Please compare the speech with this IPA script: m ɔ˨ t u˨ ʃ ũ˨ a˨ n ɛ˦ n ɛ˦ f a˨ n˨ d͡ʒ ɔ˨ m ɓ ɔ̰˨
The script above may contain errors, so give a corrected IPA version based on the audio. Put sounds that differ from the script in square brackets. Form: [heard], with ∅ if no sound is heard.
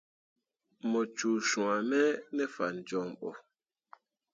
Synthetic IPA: m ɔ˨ [t͡ʃ] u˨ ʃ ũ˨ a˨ [m] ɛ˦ n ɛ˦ f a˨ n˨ d͡ʒ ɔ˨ m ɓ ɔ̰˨